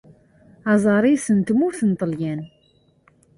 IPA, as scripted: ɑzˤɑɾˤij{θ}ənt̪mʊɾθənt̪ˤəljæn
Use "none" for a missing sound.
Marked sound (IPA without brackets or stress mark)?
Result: s